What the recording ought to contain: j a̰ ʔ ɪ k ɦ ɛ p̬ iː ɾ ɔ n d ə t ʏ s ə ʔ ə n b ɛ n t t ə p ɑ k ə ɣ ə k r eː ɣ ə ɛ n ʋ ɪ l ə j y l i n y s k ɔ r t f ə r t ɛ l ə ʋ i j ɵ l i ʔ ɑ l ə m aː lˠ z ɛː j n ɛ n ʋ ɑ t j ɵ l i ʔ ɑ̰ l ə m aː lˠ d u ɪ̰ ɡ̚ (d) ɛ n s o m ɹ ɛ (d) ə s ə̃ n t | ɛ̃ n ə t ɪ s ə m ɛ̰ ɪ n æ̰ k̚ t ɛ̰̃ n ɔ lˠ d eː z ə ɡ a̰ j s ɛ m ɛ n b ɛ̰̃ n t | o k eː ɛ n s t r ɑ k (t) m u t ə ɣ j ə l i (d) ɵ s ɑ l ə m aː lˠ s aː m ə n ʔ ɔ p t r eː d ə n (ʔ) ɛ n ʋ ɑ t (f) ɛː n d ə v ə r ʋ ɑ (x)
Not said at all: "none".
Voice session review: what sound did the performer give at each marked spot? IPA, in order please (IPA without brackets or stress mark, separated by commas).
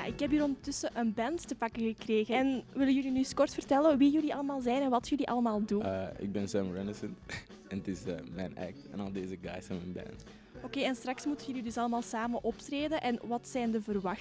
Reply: b, n, s, d, ʔ, s, x